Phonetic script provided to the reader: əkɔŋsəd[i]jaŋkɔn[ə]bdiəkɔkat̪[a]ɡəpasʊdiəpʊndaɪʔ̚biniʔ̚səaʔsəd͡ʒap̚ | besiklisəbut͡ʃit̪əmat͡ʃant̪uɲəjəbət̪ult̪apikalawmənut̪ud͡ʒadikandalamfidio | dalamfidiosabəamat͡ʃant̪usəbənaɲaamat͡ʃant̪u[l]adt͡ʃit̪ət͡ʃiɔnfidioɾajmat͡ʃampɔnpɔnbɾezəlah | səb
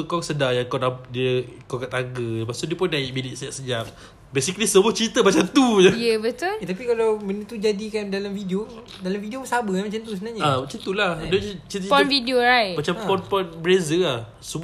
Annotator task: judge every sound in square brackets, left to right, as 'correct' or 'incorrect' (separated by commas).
incorrect, incorrect, correct, correct